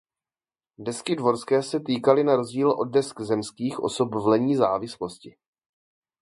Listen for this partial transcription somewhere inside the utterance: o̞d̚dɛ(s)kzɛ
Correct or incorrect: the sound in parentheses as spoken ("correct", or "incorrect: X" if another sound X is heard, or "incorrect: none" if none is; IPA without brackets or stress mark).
correct